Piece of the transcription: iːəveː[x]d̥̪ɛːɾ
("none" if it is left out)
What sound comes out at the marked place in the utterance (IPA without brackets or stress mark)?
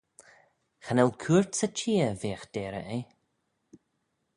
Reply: x